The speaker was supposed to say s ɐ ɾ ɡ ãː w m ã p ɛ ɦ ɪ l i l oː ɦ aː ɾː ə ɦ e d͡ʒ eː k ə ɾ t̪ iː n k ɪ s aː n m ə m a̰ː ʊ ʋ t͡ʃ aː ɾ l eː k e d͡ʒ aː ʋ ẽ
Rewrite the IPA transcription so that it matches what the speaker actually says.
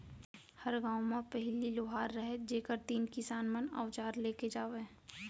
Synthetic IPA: h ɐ ɾ ɡ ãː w m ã p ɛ ɦ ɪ l i l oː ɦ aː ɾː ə ɦ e d͡ʒ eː k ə ɾ t̪ iː n k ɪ s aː n m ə n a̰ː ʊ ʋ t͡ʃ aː ɾ l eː k e d͡ʒ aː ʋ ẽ